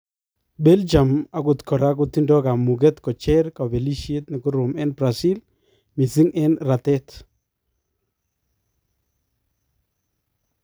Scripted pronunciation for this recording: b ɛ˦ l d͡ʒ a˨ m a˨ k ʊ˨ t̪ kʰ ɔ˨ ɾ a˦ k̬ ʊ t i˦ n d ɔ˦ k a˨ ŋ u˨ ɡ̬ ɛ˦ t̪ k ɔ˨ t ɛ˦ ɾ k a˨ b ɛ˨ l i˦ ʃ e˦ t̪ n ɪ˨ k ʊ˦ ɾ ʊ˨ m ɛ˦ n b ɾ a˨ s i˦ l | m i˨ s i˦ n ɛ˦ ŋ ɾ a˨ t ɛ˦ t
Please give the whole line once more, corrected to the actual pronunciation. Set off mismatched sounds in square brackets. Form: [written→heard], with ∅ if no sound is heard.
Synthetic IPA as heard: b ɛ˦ l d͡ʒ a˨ m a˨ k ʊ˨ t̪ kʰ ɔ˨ ɾ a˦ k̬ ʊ t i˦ n d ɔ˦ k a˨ [ŋ→m] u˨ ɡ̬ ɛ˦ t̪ k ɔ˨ [t→t͡ʃ] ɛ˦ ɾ k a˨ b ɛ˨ l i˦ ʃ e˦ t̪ n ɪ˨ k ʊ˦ ɾ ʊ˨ m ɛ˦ n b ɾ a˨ s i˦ l | m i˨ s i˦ [n→ŋ] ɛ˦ [ŋ→n] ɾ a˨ t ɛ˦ t